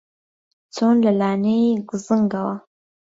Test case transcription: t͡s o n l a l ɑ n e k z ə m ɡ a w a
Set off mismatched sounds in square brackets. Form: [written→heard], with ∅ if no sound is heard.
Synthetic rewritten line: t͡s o n l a l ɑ n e [k→ɡ] z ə [m→ŋ] ɡ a w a